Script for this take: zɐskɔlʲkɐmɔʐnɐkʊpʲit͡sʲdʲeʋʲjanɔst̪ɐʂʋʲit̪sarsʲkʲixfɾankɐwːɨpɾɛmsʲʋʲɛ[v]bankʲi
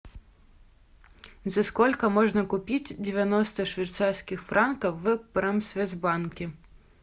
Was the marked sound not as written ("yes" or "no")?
yes